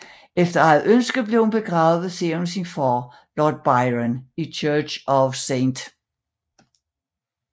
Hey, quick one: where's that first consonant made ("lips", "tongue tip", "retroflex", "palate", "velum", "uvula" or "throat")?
lips